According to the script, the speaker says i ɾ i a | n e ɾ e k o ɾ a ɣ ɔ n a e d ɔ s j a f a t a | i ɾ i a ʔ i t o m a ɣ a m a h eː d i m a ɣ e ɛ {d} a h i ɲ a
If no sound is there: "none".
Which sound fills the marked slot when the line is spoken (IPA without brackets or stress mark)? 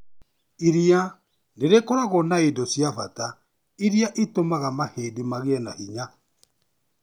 n